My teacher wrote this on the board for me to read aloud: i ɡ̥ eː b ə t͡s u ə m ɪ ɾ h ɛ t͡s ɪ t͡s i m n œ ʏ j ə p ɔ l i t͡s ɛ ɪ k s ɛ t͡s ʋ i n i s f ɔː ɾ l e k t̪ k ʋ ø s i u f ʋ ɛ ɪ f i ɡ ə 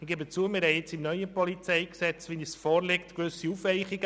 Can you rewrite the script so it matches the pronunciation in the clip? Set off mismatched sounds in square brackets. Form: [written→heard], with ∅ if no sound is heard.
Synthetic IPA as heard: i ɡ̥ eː b ə t͡s u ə m ɪ ɾ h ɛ [t͡s→∅] ɪ t͡s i m n œ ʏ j ə p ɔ l i t͡s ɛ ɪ k s ɛ t͡s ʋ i n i s f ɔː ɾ l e k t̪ k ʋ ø s i u f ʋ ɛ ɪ [f→χ] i ɡ ə